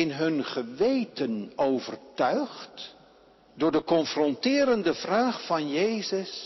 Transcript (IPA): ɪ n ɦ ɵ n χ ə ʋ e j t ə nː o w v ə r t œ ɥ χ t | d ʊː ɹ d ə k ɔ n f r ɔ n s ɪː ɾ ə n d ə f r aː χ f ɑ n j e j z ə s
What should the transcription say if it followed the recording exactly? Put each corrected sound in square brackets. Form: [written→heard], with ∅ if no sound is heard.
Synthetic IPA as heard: ɪ n ɦ ɵ n χ ə ʋ e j t ə [nː→n] o w v ə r t œ ɥ χ t | d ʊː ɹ d ə k ɔ n f r ɔ n [s→t] ɪː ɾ ə n d ə [f→v] r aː χ f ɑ n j e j z ə s